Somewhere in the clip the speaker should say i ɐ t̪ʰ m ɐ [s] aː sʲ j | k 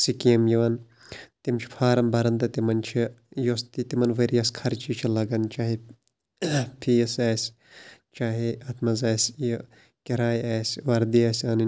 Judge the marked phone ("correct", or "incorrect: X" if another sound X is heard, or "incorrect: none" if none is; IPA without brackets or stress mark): incorrect: z